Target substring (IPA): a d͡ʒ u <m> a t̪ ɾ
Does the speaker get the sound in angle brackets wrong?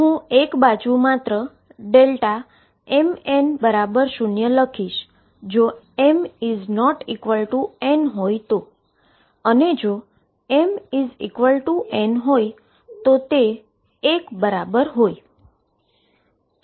no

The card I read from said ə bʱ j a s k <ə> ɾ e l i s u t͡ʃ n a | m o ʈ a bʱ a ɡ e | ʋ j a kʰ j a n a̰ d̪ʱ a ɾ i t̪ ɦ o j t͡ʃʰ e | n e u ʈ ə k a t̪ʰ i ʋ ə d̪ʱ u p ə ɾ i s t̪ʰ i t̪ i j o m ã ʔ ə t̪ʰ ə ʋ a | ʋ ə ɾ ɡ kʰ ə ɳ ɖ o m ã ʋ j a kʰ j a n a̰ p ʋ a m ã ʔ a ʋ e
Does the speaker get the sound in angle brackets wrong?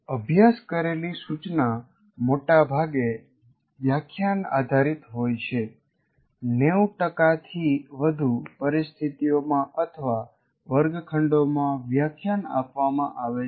no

